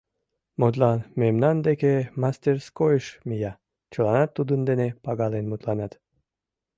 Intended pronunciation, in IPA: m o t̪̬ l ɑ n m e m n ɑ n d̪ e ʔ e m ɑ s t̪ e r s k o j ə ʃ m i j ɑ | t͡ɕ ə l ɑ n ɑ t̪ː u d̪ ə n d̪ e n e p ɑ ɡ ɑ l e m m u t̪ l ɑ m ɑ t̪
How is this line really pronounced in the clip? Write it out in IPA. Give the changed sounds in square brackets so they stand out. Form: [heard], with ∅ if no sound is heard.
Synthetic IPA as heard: m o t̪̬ l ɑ n m e m n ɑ n d̪ e [k] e m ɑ s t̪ e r s k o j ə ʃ m i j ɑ | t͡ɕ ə l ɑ n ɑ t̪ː u d̪ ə n d̪ e n e p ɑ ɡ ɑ l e [n] m u t̪ l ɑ [n] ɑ t̪